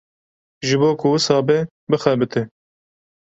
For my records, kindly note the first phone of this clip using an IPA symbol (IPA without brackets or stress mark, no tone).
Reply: ʒ